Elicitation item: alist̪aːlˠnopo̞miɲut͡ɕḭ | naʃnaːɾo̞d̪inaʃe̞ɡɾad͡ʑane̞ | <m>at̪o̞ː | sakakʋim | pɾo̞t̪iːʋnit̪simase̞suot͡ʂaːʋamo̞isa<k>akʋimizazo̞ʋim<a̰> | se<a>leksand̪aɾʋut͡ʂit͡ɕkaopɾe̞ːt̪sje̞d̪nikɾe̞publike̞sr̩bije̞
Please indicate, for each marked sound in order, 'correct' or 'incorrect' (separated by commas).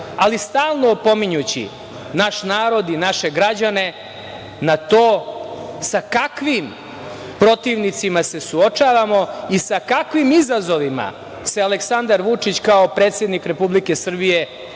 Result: incorrect, correct, correct, correct